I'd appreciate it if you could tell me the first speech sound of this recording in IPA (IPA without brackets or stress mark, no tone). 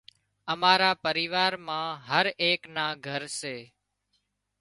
ə